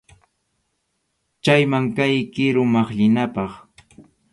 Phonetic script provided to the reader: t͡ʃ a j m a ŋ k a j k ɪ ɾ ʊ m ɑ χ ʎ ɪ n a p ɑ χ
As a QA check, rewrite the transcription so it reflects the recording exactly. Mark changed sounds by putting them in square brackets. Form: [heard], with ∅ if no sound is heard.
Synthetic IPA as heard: t͡ʃ a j m a ŋ k a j k ɪ ɾ ʊ m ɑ χ ʎ ɪ n a p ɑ χ